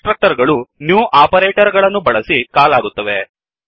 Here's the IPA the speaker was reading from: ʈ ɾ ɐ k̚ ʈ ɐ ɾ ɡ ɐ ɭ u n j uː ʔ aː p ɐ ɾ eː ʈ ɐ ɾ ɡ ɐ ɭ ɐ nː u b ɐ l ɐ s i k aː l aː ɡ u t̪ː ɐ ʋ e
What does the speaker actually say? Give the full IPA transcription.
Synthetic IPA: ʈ ɾ ɐ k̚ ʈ ɐ ɾ ɡ ɐ ɭ u n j uː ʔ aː p ɐ ɾ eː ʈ ɐ ɾ ɡ ɐ ɭ ɐ nː u b ɐ ɭ ɐ s i k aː l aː ɡ u t̪ː ɐ ʋ e